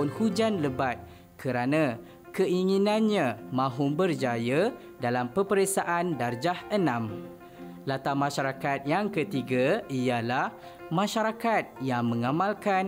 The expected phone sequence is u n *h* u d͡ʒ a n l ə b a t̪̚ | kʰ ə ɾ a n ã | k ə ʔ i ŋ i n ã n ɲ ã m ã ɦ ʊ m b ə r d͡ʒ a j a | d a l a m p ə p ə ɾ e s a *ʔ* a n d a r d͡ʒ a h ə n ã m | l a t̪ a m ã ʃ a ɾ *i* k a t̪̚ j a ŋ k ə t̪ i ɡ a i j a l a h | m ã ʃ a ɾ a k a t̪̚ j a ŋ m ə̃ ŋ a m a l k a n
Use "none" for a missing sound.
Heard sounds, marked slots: h, ʔ, a

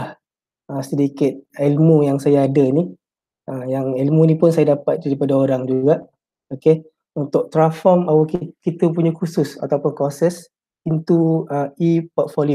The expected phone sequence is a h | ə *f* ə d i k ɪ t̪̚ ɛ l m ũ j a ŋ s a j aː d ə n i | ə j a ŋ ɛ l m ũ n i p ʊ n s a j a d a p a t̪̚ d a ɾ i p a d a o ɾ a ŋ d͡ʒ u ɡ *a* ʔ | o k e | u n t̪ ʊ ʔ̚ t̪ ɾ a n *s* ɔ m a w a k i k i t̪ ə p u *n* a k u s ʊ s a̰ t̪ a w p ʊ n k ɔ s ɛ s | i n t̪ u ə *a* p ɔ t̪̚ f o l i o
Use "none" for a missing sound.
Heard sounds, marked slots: s, a, f, ɲ, i

